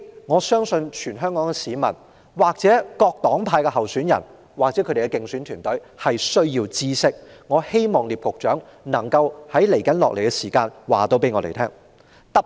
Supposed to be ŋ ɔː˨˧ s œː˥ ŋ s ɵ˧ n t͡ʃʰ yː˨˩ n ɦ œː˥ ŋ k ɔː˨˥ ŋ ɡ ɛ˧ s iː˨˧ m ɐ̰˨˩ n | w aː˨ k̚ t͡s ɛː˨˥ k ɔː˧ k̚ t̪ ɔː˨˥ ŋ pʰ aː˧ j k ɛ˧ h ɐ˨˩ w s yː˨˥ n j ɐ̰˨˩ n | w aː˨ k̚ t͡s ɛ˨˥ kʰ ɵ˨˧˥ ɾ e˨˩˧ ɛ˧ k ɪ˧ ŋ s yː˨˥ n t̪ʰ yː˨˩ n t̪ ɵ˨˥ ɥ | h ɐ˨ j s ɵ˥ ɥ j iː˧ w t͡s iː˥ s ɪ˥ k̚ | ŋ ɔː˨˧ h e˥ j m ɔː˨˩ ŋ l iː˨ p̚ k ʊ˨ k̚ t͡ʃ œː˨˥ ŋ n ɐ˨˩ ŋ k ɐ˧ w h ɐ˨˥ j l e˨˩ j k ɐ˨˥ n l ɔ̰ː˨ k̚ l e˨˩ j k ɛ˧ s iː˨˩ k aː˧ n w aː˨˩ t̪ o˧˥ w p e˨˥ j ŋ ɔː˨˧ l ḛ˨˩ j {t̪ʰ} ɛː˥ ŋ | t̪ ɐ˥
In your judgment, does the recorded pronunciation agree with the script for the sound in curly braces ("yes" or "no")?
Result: yes